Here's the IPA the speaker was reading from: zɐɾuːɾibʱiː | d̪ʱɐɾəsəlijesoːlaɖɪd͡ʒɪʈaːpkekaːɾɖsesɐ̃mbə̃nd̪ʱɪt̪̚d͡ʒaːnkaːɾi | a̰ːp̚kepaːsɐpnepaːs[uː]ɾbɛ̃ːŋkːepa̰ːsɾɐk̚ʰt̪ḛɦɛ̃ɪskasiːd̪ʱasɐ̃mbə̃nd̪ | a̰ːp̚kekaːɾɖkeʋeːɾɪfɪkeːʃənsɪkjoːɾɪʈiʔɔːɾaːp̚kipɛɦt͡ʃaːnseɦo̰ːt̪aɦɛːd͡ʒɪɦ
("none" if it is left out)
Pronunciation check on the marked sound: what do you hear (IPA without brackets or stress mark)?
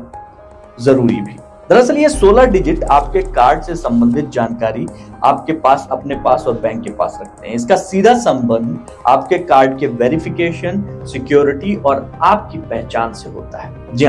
ɔː